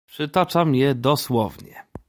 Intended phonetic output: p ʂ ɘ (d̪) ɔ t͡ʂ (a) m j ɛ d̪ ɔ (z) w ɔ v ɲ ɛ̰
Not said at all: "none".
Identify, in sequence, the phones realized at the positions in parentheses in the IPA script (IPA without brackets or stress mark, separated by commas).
t̪, a, s